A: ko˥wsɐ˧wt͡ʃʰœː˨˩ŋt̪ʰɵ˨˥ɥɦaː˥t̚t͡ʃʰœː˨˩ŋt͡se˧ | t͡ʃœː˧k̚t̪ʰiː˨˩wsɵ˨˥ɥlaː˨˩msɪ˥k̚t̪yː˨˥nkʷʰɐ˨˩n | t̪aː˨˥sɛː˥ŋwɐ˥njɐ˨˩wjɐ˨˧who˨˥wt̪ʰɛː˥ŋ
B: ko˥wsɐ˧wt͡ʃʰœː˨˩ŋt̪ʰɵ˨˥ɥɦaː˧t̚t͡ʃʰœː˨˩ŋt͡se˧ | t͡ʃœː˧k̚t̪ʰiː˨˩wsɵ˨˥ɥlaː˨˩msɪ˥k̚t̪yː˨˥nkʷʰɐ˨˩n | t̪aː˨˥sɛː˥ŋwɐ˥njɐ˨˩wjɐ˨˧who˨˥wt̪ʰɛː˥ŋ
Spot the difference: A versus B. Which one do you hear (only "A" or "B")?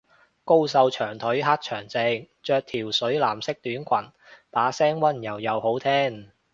A